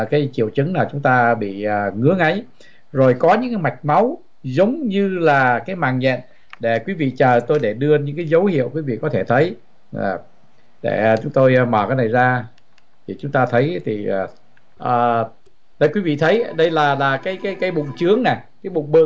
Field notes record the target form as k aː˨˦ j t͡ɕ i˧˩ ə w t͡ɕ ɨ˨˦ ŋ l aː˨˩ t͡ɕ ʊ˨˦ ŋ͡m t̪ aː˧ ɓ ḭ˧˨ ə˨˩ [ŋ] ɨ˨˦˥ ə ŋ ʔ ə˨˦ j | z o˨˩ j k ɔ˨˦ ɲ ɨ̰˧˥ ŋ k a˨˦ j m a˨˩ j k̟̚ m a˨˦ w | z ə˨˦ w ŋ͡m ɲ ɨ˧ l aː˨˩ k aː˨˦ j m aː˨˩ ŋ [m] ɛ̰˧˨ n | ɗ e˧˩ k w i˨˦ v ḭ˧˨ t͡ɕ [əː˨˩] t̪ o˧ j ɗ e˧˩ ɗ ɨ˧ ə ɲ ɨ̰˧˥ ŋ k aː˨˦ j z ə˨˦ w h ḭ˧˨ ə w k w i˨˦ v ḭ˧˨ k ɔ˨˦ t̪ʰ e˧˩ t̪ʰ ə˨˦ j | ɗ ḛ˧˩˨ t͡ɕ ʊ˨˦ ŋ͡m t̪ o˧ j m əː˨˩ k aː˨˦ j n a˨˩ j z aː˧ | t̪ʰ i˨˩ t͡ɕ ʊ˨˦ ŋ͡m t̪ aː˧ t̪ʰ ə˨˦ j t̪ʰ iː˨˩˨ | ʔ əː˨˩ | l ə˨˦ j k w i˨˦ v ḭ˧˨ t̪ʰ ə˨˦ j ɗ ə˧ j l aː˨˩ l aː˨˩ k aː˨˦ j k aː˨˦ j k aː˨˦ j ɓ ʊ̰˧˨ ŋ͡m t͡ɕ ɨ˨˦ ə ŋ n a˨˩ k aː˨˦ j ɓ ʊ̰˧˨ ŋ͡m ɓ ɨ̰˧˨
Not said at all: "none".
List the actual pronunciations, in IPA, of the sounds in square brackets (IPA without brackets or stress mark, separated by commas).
ŋ, ɲ, əː˨˩